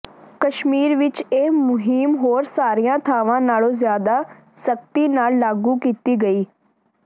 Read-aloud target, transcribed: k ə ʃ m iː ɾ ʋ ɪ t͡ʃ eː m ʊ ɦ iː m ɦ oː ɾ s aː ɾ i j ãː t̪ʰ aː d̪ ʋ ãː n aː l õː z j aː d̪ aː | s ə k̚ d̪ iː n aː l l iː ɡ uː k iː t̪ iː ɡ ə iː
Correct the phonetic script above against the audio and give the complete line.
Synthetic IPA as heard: k ə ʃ m iː ɾ ʋ ɪ t͡ʃ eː m ʊ ɦ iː m ɦ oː ɾ s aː ɾ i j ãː t̪ʰ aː ʋ ãː n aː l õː z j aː d̪ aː | s ə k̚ t̪ iː n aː l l aː ɡ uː k iː t̪ iː ɡ ə iː